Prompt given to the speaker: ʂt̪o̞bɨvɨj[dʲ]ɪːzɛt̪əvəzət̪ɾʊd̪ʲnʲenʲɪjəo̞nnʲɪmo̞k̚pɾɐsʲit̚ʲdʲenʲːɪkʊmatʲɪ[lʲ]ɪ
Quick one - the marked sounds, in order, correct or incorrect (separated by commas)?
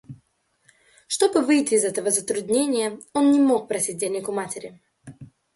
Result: incorrect, incorrect